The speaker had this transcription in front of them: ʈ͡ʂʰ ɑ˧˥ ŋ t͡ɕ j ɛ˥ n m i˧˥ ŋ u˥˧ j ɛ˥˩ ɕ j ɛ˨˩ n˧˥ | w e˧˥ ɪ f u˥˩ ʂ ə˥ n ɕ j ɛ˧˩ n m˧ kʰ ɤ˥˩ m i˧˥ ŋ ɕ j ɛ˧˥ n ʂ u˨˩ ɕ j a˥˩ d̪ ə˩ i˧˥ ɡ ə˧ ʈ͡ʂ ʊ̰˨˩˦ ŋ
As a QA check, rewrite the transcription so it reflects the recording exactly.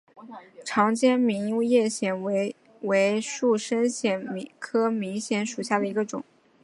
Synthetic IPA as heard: ʈ͡ʂʰ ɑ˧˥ ŋ t͡ɕ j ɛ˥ n m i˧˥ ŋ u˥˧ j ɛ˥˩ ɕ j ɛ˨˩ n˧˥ | w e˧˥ ɪ ʂ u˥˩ ʂ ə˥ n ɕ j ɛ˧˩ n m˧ kʰ ɤ˥ m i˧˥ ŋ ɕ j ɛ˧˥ n ʂ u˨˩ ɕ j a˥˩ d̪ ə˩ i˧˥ ɡ ə˧ ʈ͡ʂ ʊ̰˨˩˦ ŋ

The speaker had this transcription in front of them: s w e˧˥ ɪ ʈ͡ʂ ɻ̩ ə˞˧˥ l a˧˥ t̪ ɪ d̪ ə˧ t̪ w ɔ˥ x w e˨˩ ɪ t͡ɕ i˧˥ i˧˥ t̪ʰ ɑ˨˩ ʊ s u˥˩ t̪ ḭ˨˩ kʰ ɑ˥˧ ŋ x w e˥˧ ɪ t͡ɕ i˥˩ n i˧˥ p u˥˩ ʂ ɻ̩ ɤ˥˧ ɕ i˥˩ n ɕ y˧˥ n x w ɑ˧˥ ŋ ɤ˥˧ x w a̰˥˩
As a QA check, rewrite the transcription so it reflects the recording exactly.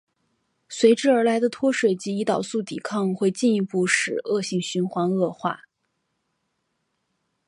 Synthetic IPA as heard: s w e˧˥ ɪ ʈ͡ʂ ɻ̩ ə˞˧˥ l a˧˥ ɪ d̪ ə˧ t̪ʰ w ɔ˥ ʂ w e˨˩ ɪ t͡ɕ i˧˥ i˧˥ t̪ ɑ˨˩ ʊ s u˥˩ t̪ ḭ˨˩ kʰ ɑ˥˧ ŋ x w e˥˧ ɪ t͡ɕ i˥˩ n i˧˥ p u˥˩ ʂ ɻ̩ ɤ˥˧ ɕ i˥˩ ŋ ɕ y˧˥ n x w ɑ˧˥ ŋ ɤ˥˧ x w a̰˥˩

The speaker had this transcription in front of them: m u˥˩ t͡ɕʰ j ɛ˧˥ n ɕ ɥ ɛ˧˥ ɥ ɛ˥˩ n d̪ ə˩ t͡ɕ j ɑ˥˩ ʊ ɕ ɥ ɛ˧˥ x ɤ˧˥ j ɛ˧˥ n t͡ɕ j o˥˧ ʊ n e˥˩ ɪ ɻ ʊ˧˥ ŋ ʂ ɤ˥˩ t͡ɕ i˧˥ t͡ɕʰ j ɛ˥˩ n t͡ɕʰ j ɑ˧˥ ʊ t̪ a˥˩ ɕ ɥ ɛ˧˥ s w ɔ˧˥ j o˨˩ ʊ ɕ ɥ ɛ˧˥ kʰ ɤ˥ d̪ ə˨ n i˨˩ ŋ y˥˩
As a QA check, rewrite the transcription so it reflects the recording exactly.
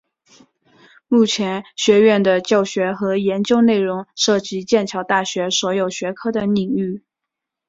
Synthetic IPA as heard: m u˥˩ t͡ɕʰ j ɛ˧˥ n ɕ ɥ ɛ˧˥ ɥ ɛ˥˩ n d̪ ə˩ t͡ɕ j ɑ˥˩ ʊ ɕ ɥ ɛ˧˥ x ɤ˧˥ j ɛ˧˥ n t͡ɕ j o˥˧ ʊ n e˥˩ ɪ ɻ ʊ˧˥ ŋ ʂ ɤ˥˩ t͡ɕ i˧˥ t͡ɕ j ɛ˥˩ n t͡ɕʰ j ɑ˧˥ ʊ t̪ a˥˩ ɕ ɥ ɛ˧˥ s w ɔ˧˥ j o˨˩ ʊ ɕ ɥ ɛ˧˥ kʰ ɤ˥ d̪ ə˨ n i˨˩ ŋ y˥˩

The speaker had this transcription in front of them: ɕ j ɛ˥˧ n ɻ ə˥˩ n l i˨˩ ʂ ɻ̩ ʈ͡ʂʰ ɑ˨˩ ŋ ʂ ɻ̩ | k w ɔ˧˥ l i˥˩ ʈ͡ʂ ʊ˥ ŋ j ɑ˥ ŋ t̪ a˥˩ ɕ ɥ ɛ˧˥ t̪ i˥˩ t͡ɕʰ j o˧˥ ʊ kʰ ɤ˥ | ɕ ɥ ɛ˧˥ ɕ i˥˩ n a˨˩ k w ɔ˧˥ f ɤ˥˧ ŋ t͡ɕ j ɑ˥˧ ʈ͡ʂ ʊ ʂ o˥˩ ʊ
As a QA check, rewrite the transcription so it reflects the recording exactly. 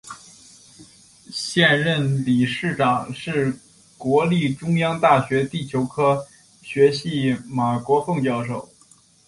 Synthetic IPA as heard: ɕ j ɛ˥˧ n ɻ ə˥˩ n l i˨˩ ʂ ɻ̩ ʈ͡ʂ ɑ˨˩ ŋ ʂ ɻ̩ | k w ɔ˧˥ l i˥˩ ʈ͡ʂ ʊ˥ ŋ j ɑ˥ ŋ t̪ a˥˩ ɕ ɥ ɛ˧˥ t̪ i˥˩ t͡ɕʰ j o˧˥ ʊ kʰ ɤ˥ | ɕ ɥ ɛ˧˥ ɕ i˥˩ m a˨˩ k w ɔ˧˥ f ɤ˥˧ ŋ t͡ɕ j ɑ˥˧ ʊ ʂ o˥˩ ʊ

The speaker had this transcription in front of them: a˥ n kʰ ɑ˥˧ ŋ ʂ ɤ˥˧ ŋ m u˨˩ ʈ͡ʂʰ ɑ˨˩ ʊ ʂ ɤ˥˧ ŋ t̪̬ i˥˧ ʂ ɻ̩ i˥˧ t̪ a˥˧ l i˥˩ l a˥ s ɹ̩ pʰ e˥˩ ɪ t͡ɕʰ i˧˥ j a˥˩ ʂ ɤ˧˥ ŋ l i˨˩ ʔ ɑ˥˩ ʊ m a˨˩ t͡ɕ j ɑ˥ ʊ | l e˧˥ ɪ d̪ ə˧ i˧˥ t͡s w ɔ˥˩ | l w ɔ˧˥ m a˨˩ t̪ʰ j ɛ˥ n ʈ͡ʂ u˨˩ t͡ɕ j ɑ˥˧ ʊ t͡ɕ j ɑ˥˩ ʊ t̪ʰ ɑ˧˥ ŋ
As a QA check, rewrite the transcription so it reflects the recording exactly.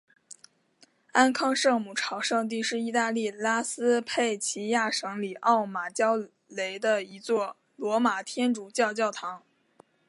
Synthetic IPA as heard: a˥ n kʰ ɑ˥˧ ŋ ʂ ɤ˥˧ ŋ m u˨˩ ʈ͡ʂʰ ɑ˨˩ ʊ ʂ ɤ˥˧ ŋ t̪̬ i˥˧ ʂ ɻ̩ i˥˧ t̪ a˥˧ l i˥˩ l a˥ s ɹ̩ pʰ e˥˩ ɪ t͡ɕʰ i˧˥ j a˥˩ ʂ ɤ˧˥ ŋ l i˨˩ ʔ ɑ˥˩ ʊ m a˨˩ t͡ɕ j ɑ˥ ʊ | l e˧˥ ɪ d̪ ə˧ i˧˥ t͡s w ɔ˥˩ | l w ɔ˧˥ m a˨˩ t̪ʰ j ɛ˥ n ʈ͡ʂ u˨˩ t͡ɕ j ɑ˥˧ ʊ t͡ɕ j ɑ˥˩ ʊ t̪ʰ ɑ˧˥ ŋ

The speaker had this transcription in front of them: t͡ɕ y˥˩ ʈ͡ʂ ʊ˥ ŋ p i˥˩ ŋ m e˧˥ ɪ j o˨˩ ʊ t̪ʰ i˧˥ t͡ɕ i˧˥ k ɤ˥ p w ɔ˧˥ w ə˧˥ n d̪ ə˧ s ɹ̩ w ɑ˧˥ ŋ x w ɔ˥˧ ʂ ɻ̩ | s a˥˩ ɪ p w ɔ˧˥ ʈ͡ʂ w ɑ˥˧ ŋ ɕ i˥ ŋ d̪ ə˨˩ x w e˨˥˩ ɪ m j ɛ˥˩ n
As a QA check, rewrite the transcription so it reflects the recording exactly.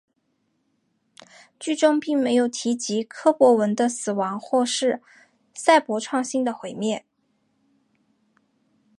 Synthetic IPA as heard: t͡ɕ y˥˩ ʈ͡ʂ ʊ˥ ŋ p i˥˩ ŋ m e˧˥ ɪ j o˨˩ ʊ t̪ʰ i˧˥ t͡ɕ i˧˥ kʰ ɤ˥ p w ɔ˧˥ w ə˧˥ n d̪ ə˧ s ɹ̩ w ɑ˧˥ ŋ x w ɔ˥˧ ʂ ɻ̩ | s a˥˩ ɪ p w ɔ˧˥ ʈ͡ʂʰ w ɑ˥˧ ŋ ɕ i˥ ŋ d̪ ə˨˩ x w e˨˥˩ ɪ m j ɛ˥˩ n

